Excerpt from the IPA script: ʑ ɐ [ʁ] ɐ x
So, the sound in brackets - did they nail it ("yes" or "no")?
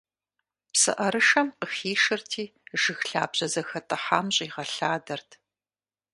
no